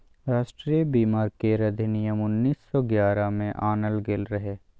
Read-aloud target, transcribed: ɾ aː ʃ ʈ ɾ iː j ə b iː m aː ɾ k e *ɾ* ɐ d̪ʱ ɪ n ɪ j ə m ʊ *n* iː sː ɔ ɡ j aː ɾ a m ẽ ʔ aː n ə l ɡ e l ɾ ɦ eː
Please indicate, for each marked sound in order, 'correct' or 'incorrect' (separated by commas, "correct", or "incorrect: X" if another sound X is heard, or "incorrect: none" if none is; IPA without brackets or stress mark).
correct, incorrect: nː